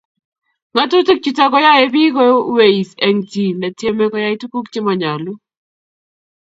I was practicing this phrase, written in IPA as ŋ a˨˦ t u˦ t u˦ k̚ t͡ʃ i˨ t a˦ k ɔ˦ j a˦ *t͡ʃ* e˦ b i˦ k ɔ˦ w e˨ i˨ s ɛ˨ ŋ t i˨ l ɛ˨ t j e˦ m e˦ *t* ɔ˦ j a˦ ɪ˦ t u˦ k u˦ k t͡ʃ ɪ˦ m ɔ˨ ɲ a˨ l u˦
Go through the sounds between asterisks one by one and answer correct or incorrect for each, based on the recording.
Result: incorrect: none, incorrect: k

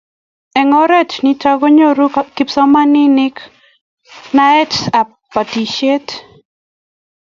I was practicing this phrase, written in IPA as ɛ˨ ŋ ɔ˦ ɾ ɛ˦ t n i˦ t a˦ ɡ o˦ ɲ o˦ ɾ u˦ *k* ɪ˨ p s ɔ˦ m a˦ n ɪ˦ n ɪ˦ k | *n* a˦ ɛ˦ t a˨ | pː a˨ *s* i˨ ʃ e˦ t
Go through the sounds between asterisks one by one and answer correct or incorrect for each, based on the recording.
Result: correct, correct, incorrect: t

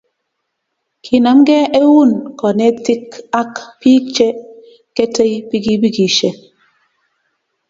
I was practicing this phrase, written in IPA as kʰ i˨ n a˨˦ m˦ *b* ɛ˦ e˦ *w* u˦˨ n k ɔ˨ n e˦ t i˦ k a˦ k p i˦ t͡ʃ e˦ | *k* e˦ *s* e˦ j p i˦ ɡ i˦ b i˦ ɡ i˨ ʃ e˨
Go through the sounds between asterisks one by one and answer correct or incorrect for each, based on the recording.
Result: incorrect: ɡ, correct, correct, incorrect: t

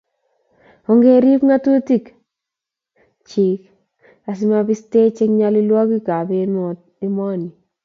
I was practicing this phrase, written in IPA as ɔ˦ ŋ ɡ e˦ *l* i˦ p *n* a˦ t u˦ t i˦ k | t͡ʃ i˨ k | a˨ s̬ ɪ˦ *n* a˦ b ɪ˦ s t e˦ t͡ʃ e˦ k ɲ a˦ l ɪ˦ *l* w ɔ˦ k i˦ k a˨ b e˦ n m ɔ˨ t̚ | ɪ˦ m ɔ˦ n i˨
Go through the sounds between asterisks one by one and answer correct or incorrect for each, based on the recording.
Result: incorrect: ɾ, incorrect: ŋ, incorrect: m, correct

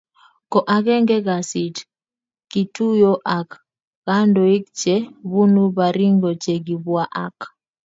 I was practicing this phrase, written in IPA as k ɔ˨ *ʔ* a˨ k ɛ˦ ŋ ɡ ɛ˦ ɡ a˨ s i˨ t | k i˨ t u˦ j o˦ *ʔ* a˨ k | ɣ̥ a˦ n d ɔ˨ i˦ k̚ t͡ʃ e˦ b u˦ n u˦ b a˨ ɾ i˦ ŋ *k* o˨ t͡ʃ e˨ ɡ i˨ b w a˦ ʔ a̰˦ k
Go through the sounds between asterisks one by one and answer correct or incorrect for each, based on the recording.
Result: correct, correct, incorrect: ɡ

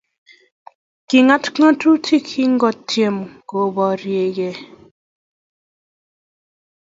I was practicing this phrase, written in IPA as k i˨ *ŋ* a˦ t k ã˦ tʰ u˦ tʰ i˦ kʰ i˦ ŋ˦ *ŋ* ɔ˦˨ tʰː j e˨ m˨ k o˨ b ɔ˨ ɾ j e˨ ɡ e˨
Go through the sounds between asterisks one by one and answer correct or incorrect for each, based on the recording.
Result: correct, incorrect: ɡ

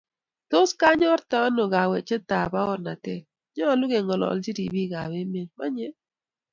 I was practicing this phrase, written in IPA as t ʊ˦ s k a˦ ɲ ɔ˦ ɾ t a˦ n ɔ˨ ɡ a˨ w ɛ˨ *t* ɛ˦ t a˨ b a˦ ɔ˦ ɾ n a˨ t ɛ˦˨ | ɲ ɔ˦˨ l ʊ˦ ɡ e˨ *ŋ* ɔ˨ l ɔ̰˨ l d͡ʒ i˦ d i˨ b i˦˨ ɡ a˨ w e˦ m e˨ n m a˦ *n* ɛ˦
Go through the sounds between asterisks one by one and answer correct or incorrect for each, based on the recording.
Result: incorrect: t͡ʃ, correct, incorrect: ɲ

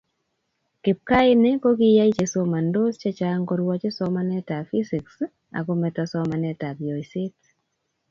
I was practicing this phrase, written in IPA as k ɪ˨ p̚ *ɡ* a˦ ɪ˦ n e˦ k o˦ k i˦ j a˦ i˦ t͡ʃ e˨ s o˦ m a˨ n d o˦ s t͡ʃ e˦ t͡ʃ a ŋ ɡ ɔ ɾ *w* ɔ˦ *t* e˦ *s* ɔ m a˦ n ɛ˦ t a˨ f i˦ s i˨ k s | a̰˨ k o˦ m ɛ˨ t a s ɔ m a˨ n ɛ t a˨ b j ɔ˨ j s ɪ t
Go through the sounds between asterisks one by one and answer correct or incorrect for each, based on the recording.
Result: incorrect: k, correct, incorrect: t͡ʃ, correct

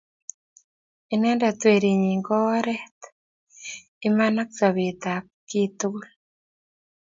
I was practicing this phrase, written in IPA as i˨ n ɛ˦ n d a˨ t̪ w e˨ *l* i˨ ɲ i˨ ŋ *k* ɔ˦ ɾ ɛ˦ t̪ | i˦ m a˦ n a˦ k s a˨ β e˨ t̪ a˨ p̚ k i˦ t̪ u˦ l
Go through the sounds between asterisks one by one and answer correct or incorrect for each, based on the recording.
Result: incorrect: ɾ, incorrect: ɡ

